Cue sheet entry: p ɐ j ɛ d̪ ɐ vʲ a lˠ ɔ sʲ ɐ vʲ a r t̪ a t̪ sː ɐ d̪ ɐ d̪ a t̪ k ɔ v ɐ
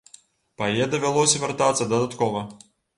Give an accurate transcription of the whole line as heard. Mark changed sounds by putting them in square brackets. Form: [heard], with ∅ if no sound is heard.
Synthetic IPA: p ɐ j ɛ d̪ ɐ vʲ a lˠ ɔ sʲ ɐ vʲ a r t̪ a t̪ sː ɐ d̪ ɐ d̪ a t̪ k ɔ v ɐ